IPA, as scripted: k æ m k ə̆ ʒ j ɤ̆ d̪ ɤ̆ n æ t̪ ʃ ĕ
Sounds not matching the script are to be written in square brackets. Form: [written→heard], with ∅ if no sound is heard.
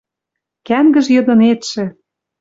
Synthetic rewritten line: k æ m [k→ɡ] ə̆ ʒ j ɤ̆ d̪ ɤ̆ n [æ→e] t̪ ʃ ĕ